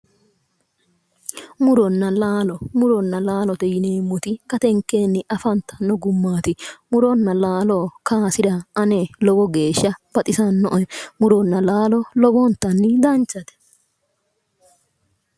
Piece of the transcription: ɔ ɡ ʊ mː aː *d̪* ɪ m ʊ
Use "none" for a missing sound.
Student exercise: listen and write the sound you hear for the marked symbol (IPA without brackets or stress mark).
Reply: t̪